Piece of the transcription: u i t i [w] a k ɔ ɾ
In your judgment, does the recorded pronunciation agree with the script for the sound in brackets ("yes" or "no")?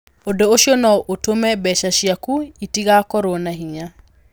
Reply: no